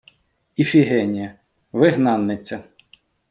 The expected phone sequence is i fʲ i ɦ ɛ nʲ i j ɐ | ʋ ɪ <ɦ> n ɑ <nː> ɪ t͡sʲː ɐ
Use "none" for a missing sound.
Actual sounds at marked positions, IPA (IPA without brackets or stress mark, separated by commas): ɦ, nː